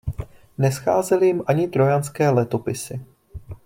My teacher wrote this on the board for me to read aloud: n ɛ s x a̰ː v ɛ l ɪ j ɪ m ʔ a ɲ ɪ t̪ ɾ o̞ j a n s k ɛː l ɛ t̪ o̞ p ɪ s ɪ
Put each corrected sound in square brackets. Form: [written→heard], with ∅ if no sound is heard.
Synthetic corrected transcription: n ɛ s x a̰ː [v→z] ɛ l ɪ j ɪ m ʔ a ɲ ɪ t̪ ɾ o̞ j a n s k ɛː l ɛ t̪ o̞ p ɪ s ɪ